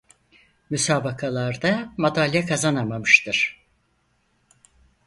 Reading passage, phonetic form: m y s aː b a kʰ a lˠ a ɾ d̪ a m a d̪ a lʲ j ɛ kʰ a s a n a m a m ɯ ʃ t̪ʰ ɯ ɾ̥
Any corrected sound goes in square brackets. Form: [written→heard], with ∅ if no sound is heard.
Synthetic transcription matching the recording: m y s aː b a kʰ a lˠ a ɾ d̪ a m a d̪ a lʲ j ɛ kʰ a [s→z] a n a m a m ɯ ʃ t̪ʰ ɯ ɾ̥